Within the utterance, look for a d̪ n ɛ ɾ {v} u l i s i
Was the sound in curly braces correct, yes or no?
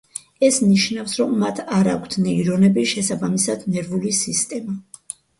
yes